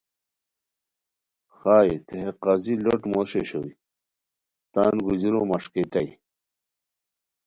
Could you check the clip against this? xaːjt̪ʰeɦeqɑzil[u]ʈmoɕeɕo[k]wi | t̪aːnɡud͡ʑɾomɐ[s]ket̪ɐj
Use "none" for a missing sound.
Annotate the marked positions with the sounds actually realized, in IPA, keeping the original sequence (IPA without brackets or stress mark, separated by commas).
o, none, ʂ